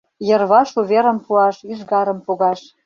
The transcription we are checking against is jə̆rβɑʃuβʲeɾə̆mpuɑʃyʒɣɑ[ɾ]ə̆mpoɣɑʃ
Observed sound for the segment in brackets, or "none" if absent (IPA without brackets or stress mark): ɾ